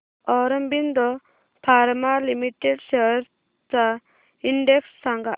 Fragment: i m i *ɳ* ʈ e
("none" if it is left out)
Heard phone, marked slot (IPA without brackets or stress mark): none